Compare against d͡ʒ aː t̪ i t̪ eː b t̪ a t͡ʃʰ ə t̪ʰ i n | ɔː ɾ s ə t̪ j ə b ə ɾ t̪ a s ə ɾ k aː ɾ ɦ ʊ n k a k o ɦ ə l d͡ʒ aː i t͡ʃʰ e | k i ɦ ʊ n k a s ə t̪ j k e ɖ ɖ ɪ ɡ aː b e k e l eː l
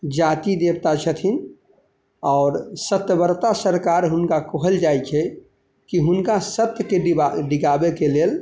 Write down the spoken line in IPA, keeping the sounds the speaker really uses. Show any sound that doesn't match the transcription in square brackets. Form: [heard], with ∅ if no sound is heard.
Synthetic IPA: d͡ʒ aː t̪ i [d̪] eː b t̪ a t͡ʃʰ ə t̪ʰ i n | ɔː ɾ s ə t̪ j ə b ə ɾ t̪ a s ə ɾ k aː ɾ ɦ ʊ n k a k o ɦ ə l d͡ʒ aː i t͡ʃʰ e | k i ɦ ʊ n k a s ə t̪ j k e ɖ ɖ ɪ ɡ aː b e k e l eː l